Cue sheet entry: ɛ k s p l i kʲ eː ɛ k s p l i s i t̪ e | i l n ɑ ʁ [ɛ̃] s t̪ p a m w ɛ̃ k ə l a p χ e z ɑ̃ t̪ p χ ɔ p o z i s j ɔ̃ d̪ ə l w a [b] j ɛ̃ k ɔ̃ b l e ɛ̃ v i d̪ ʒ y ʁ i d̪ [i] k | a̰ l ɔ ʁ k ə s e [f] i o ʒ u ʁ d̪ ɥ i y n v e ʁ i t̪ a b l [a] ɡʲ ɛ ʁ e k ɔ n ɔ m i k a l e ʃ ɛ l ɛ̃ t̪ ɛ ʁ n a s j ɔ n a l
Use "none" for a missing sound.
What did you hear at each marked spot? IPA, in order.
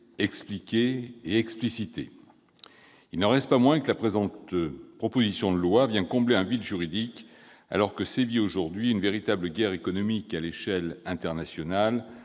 ɛ, v, i, v, ə

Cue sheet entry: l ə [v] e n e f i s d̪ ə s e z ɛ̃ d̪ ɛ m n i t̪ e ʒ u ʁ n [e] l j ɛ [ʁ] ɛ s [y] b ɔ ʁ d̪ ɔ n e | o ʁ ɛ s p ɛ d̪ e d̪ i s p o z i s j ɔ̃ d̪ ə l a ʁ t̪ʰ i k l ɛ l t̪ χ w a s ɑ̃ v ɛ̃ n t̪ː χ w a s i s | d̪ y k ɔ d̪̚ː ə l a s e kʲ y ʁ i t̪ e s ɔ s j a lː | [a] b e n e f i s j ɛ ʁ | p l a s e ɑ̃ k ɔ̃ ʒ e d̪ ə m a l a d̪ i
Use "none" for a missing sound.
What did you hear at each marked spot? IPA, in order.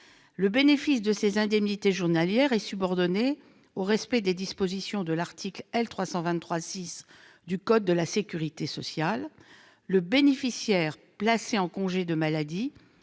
b, a, ʁ, y, ə

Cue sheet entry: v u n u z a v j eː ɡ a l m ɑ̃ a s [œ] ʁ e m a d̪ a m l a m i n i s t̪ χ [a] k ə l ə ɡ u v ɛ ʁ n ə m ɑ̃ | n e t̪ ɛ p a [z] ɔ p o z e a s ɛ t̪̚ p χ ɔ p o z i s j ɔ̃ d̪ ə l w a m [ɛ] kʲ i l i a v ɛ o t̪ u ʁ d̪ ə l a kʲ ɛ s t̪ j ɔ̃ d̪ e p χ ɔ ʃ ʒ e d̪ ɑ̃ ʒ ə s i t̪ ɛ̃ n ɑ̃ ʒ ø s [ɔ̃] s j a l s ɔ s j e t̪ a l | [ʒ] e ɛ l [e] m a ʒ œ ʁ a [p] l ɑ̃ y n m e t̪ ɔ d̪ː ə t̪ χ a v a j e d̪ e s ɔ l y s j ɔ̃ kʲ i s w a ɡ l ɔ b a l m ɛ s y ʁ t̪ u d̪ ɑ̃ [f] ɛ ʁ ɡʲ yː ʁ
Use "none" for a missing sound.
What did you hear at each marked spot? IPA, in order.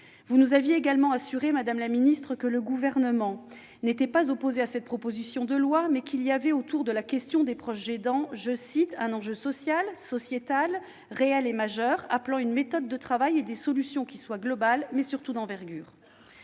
y, ə, z, ɛ, ɔ, ʁ, e, p, v

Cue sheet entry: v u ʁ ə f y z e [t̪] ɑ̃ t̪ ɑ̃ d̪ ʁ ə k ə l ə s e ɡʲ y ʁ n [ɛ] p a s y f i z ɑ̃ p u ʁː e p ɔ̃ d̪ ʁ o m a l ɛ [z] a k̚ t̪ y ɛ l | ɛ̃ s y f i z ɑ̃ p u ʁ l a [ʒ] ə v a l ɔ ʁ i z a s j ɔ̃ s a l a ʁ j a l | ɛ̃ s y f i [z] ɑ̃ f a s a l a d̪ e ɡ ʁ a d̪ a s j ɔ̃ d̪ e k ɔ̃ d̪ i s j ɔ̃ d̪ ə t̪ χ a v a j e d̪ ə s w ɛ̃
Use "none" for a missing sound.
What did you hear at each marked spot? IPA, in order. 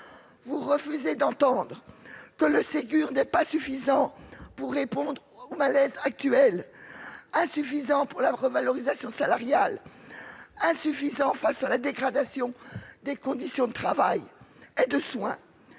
d̪, ɛ, z, ʁ, z

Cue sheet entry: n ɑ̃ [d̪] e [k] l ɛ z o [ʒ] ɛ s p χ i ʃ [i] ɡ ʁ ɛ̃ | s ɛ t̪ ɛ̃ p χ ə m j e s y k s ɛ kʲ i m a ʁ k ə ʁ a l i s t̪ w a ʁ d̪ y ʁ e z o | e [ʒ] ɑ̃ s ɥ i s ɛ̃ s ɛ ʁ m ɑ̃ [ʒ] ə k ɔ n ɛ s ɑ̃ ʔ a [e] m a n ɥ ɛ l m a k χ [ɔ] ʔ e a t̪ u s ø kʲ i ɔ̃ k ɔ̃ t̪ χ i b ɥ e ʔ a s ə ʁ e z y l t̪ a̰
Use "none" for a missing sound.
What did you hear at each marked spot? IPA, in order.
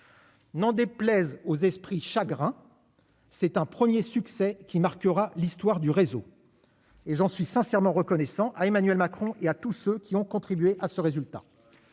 d̪, p, z, a, ʒ, ʁ, e, ɔ̃

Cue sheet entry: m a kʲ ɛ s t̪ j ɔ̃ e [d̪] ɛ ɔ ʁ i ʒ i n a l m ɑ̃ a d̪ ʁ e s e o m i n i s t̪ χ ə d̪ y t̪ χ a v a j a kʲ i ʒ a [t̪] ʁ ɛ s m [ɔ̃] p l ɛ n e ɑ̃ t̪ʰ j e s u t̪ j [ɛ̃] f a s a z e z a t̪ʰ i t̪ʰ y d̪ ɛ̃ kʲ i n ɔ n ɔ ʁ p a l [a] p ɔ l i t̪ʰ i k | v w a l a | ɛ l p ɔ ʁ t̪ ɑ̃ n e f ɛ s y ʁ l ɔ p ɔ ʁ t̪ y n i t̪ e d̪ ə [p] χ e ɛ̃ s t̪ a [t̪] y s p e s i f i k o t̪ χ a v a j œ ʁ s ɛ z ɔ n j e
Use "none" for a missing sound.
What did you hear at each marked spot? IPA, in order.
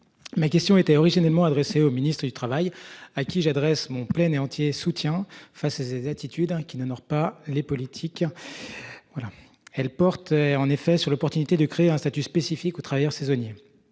t̪, d̪, ɔ̃, ɛ̃, e, k, t̪

